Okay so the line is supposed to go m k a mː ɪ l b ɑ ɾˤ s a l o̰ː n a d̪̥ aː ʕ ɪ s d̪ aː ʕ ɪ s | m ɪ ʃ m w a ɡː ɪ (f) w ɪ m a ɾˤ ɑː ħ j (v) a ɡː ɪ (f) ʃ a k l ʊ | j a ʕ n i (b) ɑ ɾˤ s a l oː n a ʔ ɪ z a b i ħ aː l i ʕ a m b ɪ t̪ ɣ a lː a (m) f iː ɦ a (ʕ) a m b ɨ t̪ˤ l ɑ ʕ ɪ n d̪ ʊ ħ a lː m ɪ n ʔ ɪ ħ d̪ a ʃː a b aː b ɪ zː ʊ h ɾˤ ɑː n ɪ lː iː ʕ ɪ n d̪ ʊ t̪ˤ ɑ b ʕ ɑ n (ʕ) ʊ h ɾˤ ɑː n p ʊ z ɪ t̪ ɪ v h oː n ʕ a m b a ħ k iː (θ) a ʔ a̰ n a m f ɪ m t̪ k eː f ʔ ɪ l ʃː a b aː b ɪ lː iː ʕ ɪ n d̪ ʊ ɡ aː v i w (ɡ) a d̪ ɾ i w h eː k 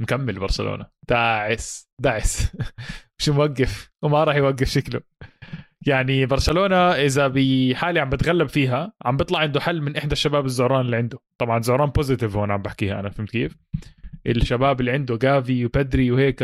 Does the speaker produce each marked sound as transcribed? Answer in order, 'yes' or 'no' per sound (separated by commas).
yes, no, yes, yes, no, yes, no, no, no